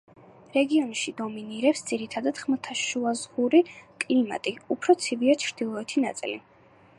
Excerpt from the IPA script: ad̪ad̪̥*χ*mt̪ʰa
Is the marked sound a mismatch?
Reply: no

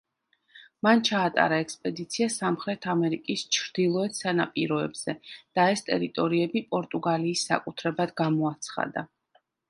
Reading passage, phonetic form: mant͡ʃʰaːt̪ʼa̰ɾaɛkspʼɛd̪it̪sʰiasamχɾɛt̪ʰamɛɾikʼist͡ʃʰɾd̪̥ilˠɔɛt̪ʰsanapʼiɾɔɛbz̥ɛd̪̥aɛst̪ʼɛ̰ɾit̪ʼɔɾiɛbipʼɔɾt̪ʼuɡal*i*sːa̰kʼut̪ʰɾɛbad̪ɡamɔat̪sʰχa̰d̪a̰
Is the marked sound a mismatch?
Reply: yes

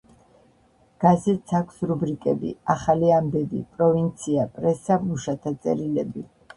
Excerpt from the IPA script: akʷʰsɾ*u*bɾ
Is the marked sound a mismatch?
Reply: no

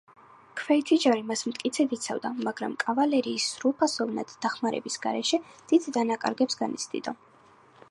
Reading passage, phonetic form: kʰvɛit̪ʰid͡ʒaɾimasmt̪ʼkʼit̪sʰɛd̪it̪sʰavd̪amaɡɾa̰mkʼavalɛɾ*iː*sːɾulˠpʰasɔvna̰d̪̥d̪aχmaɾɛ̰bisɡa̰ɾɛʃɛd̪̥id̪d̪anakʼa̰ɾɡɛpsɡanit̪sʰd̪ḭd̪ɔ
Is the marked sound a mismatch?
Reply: no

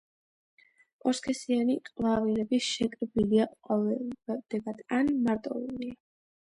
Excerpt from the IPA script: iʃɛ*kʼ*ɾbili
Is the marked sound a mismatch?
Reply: no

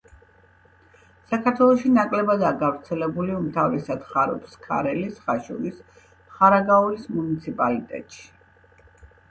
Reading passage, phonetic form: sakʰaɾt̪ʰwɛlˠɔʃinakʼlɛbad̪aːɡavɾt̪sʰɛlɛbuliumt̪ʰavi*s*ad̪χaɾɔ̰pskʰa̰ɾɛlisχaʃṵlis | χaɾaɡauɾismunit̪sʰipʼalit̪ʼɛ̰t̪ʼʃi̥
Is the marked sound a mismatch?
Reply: no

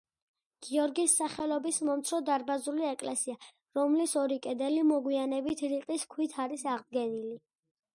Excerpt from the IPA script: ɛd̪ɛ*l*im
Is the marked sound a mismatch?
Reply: no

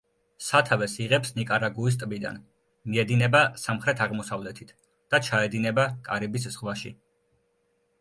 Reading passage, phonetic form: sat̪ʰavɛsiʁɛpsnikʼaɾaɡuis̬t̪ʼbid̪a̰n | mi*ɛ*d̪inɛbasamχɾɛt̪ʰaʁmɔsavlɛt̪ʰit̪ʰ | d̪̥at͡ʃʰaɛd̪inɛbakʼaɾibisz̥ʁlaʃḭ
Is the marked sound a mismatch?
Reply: no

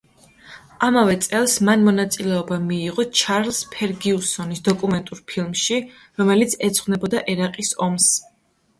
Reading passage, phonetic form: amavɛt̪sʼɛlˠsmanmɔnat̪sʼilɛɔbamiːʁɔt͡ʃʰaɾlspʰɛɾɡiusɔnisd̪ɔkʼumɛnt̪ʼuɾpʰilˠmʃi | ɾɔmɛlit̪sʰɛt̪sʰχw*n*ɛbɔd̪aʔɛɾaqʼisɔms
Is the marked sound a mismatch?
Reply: no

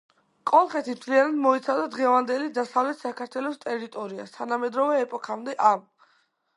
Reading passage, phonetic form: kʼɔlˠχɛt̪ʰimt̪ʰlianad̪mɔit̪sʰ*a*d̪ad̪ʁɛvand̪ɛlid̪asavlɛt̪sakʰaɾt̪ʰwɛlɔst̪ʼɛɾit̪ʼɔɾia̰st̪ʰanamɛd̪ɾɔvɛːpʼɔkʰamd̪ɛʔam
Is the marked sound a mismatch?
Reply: no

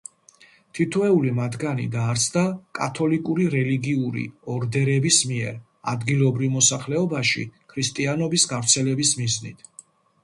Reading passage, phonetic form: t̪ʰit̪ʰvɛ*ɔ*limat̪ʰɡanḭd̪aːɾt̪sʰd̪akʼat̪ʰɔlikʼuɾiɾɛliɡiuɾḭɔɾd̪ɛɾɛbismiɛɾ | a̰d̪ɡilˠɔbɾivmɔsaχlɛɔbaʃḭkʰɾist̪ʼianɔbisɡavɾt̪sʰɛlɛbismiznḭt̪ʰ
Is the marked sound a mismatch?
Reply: yes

